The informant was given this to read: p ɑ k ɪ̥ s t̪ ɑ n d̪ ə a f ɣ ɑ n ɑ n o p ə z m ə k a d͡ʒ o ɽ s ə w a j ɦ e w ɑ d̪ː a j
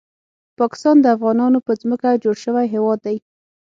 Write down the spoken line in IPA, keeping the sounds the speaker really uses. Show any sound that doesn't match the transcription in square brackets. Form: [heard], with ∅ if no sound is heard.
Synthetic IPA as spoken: p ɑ k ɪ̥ s t̪ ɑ n d̪ ə a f ɣ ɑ n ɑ n o p ə z m ə k a d͡ʒ o ɽ [ʃ] ə w a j ɦ e w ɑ d̪ː a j

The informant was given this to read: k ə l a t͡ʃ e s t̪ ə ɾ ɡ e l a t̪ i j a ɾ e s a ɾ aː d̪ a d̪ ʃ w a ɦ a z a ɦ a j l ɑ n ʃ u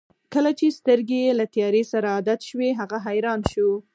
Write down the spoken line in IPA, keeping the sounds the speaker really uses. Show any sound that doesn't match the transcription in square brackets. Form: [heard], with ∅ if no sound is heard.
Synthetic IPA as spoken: k ə l a t͡ʃ e s t̪ ə ɾ ɡ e l a t̪ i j [ɑ] ɾ e s a ɾ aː d̪ a [t̪] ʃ w [e] ɦ a [ɣ] a ɦ a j [ɾ] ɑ n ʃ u

